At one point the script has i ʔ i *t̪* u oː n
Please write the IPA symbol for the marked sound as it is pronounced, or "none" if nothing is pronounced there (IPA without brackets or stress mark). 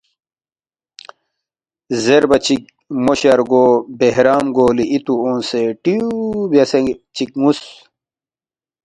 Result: t̪